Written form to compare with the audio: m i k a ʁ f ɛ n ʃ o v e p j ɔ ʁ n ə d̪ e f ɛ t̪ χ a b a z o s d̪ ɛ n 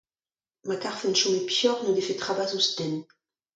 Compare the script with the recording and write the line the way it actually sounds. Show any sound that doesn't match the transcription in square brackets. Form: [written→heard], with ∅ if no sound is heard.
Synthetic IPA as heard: m [i→a] k a ʁ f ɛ n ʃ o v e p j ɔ ʁ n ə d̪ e f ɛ t̪ χ a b a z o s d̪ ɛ n